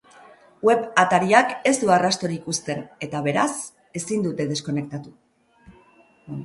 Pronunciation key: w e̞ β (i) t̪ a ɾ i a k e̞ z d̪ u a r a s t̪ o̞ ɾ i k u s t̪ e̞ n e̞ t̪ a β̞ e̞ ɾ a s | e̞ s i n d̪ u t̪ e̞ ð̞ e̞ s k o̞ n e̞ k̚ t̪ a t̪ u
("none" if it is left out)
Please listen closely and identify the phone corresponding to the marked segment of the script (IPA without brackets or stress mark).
a